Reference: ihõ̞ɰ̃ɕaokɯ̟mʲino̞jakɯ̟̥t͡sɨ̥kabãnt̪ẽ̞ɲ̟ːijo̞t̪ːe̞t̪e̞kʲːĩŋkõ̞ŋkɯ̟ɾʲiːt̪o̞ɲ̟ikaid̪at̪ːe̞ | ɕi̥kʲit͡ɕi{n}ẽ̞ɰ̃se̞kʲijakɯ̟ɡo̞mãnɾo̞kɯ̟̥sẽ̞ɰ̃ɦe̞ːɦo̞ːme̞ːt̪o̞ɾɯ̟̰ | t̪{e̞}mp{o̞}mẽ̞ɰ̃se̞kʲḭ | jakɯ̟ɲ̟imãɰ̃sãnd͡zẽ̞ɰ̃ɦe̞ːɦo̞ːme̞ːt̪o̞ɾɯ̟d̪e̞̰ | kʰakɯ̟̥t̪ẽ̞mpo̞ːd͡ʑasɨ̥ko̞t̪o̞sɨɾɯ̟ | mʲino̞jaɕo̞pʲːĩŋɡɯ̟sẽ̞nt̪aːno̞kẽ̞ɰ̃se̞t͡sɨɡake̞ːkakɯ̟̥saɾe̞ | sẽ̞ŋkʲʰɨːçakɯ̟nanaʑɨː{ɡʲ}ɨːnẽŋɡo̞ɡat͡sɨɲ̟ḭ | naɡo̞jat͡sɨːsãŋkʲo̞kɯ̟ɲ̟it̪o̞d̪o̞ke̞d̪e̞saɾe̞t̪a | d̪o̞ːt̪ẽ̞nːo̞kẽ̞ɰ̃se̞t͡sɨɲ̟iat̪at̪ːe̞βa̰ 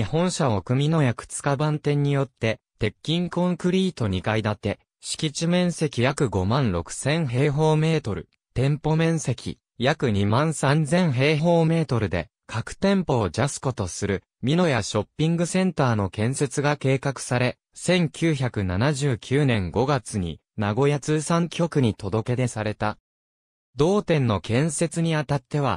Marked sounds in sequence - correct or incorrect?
incorrect: m, incorrect: ẽ̞, correct, incorrect: kʲ

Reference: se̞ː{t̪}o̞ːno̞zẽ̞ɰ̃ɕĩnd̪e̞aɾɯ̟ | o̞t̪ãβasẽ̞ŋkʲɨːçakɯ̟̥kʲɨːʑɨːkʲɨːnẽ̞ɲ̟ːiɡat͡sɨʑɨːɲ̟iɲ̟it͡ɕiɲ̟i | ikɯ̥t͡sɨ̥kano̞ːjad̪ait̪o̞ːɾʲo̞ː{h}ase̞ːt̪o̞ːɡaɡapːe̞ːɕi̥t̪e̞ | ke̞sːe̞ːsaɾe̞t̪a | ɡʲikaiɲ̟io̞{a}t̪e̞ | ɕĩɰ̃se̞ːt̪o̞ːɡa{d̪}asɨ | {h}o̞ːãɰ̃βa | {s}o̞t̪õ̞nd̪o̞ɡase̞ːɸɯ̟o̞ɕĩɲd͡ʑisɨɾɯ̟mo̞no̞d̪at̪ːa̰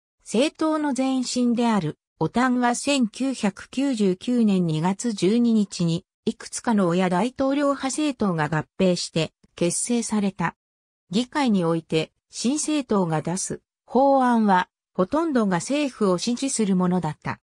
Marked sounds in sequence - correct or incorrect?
correct, correct, incorrect: i, correct, correct, incorrect: h

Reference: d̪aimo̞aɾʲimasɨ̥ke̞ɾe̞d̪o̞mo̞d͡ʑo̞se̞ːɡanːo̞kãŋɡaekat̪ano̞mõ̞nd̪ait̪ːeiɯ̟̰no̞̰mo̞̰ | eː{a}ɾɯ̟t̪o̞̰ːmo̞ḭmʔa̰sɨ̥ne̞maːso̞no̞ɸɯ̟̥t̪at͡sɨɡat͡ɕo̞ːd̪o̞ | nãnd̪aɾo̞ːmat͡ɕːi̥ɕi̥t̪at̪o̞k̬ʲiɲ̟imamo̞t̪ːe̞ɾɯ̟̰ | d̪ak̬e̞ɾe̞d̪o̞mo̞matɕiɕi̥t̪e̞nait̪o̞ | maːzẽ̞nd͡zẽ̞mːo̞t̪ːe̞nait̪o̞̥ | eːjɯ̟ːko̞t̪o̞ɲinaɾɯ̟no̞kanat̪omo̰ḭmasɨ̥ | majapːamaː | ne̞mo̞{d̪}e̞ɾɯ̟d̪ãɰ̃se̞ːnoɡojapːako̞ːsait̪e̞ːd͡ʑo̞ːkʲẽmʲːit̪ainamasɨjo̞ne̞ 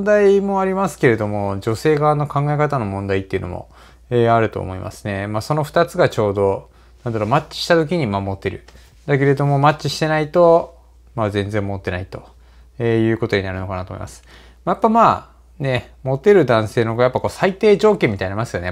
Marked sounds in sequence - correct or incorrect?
correct, incorrect: t̪

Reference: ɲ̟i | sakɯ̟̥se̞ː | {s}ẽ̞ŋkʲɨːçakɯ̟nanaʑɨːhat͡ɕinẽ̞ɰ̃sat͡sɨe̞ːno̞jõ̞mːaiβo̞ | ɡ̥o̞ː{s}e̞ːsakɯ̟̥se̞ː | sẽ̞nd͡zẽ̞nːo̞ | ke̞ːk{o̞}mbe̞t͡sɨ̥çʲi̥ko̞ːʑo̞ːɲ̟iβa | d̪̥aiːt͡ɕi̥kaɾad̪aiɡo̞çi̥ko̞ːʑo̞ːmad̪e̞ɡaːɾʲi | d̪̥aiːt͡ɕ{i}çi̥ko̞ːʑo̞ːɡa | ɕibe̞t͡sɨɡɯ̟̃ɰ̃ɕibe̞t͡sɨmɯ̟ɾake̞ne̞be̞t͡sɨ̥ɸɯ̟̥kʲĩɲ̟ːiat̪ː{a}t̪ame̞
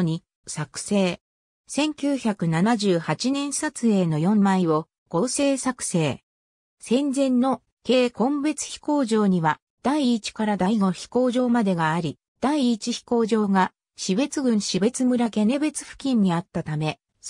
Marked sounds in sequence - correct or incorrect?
correct, correct, incorrect: õ̞, correct, correct

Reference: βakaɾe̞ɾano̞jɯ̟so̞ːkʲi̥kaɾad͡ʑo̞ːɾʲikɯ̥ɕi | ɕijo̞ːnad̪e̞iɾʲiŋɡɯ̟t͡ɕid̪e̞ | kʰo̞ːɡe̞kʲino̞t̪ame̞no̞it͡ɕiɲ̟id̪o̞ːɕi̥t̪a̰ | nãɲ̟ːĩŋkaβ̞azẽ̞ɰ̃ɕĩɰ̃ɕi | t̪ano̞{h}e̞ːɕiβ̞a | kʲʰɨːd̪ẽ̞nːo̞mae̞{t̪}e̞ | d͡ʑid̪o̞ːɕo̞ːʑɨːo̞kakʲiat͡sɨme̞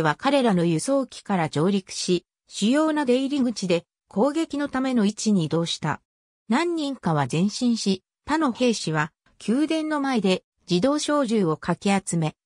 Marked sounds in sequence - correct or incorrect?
correct, incorrect: d̪

